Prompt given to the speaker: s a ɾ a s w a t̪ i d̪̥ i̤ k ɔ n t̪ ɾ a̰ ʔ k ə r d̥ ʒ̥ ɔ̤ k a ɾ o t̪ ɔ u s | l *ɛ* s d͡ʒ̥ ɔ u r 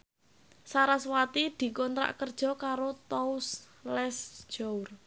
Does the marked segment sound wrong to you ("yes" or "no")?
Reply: no